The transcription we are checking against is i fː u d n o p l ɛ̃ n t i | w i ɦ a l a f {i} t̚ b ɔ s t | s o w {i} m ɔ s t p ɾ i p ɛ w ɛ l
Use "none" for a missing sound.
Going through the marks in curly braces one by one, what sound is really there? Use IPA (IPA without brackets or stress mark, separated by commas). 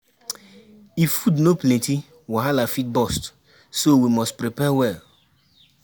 i, i